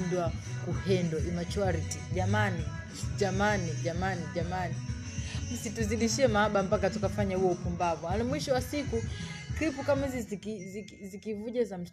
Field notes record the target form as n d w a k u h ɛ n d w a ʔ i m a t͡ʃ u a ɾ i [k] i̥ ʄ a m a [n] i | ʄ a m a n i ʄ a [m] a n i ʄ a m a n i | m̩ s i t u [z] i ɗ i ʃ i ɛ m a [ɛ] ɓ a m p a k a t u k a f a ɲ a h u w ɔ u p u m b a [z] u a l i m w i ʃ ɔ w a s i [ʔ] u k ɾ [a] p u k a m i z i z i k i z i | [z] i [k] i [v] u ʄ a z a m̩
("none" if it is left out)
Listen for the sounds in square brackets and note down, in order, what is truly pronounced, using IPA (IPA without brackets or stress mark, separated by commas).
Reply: t, n, m, z, a, v, k, i, z, k, v